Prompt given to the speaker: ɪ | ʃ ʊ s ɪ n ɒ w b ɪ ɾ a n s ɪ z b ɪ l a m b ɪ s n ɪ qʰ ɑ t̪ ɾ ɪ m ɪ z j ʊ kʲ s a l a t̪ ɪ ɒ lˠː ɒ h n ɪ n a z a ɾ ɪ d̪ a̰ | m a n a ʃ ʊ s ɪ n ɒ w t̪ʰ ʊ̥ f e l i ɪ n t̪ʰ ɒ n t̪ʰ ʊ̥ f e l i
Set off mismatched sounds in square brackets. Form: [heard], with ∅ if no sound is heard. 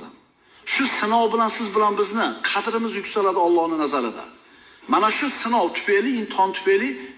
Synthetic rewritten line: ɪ | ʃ ʊ s ɪ n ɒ w b ɪ [l] a n s ɪ z b ɪ l a [n] b ɪ [z] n ɪ qʰ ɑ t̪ ɾ ɪ m ɪ z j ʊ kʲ s a l a [d̪] ɪ ɒ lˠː ɒ h n ɪ n a z a ɾ ɪ d̪ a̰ | m a n a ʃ ʊ s ɪ n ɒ w t̪ʰ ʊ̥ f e l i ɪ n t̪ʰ ɒ n t̪ʰ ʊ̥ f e l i

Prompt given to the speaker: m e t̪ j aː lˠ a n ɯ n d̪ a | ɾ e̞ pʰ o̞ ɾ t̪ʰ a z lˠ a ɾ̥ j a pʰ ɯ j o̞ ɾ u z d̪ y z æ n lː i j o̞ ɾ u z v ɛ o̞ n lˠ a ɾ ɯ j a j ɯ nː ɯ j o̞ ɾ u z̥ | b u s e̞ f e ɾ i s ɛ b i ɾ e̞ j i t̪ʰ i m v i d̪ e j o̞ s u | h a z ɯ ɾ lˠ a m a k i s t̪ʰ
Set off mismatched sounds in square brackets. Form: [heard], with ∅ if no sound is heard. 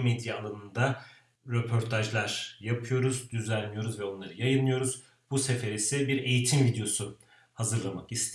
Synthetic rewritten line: m e [d̪] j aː lˠ a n ɯ n d̪ a | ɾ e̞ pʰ o̞ ɾ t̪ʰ a [ʒ] lˠ a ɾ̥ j a pʰ ɯ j o̞ ɾ u z d̪ y z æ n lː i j o̞ ɾ u z v ɛ o̞ n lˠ a ɾ ɯ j a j ɯ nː ɯ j o̞ ɾ u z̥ | b u s e̞ f e ɾ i s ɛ b i ɾ e̞ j i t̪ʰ i m v i d̪ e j o̞ s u | h a z ɯ ɾ lˠ a m a k i s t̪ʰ

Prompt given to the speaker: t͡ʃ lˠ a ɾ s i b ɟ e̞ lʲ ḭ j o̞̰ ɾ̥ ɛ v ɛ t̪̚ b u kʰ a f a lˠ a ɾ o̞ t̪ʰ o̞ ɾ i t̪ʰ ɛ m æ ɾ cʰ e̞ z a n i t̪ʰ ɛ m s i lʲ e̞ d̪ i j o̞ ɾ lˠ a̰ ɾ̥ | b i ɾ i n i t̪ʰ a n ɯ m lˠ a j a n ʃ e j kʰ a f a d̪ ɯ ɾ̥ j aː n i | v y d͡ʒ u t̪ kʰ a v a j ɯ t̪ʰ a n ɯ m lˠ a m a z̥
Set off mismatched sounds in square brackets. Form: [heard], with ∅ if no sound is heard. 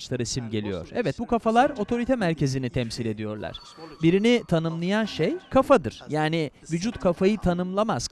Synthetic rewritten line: t͡ʃ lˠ a ɾ s i [m] ɟ e̞ lʲ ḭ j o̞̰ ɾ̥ ɛ v ɛ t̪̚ b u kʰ a f a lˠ a ɾ o̞ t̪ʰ o̞ ɾ i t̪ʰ ɛ m æ ɾ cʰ e̞ z [i] n i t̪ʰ ɛ m s i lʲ e̞ d̪ i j o̞ ɾ lˠ a̰ ɾ̥ | b i ɾ i n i t̪ʰ a n ɯ m lˠ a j a n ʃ e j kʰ a f a d̪ ɯ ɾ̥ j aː n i | v y d͡ʒ u t̪ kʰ a [f] a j ɯ t̪ʰ a n ɯ m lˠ a m a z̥

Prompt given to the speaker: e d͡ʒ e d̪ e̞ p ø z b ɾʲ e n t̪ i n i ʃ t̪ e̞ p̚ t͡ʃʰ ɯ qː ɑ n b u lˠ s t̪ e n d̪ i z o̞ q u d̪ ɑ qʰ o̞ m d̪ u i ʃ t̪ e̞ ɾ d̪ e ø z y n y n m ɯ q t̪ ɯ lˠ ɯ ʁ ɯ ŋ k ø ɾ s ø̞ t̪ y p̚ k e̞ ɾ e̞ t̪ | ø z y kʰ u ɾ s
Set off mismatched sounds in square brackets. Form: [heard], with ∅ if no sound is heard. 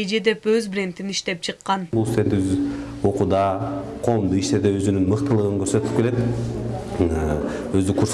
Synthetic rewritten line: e d͡ʒ e d̪ e̞ p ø z b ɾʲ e n t̪ i n i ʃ t̪ e̞ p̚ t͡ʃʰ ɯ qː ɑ n b u lˠ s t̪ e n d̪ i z o̞ q u d̪ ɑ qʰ o̞ m d̪ u i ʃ t̪ e̞ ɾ d̪ e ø z y n y n m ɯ q t̪ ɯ lˠ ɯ ʁ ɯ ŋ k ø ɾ s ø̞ t̪ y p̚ k e̞ [l] e̞ t̪ | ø z y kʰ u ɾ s

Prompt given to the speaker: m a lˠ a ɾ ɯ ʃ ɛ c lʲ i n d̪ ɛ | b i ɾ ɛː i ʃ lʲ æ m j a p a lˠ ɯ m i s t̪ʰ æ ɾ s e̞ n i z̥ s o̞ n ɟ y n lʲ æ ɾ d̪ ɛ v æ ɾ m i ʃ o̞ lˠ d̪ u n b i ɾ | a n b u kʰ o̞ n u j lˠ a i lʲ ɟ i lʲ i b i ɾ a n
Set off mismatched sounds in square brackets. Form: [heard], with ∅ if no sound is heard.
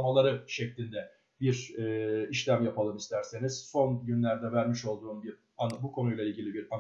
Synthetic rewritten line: m a lˠ a ɾ ɯ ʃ ɛ c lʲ i n d̪ ɛ | b i ɾ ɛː i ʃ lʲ æ m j a p a lˠ ɯ m i s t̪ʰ æ ɾ s e̞ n i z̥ s o̞ n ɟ y n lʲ æ ɾ d̪ ɛ v æ ɾ m i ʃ o̞ lˠ d̪ [uː] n b i ɾ | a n b u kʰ o̞ n u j lˠ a i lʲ ɟ i lʲ i b i ɾ a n

